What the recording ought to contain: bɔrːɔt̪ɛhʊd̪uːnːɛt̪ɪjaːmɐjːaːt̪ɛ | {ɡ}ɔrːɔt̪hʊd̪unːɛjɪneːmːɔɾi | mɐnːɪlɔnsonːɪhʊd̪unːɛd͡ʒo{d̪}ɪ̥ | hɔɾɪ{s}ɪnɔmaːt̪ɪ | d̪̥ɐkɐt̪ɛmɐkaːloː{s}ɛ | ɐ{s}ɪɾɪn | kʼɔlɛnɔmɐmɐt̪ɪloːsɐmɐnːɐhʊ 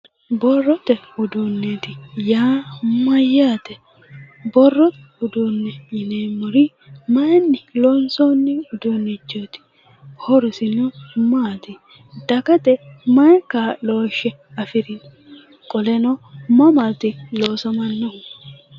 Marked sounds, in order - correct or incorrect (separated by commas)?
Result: incorrect, incorrect, correct, incorrect, incorrect